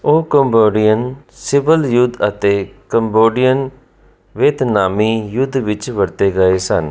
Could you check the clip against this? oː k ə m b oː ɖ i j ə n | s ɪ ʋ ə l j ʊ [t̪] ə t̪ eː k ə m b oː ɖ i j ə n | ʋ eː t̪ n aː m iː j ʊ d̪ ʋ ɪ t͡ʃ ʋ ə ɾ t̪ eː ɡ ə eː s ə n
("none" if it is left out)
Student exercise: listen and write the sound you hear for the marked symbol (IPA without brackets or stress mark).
d̪